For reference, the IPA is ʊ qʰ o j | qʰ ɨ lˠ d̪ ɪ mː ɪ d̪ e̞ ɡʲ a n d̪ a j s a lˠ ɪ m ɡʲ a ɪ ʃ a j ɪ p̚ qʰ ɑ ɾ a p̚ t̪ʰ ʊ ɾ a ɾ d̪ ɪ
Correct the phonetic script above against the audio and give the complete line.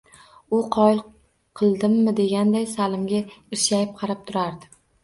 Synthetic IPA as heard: ʊ qʰ ɒ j | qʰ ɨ lˠ d̪ ɪ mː ɪ d̪ e̞ ɡʲ a n d̪ a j s a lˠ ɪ m ɡʲ a ɪ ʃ a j ɪ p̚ qʰ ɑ ɾ a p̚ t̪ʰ ʊ ɾ a ɾ d̪ ɪ